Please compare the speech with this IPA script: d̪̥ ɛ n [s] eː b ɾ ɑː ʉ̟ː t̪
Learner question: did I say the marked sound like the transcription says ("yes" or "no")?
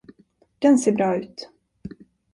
yes